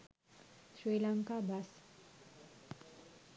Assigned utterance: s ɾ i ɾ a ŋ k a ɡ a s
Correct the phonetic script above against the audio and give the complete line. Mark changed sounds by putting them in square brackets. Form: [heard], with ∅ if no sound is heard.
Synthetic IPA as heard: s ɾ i [l] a ŋ k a [b] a s